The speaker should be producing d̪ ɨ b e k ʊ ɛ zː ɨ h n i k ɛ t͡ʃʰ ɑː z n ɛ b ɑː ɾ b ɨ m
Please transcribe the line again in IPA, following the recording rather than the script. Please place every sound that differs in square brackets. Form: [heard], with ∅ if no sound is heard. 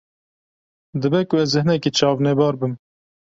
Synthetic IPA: d̪ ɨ b [ɛ] k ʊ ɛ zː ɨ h n [ɛ] k [i] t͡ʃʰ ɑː [v] n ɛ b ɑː ɾ b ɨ m